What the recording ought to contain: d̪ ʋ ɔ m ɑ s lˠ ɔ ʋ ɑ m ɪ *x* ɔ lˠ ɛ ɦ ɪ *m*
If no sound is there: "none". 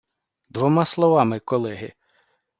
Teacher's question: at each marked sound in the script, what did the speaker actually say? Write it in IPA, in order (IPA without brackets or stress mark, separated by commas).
k, none